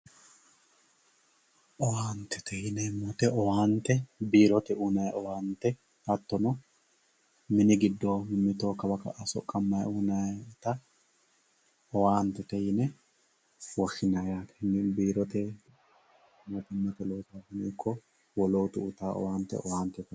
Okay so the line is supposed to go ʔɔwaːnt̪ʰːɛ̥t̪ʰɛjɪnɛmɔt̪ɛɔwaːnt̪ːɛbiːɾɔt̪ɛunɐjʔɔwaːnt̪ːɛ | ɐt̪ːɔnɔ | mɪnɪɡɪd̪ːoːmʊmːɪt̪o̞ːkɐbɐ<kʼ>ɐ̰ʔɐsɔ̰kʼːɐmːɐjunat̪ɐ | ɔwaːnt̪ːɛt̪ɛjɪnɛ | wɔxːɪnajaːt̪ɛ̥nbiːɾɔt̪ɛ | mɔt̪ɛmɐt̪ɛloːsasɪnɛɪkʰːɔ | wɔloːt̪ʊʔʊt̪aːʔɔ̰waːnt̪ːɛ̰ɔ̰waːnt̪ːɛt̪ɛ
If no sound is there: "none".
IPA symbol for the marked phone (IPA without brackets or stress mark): k